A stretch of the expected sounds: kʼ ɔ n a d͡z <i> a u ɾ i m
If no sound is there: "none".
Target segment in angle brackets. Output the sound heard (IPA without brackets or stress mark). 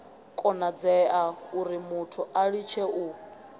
ɛ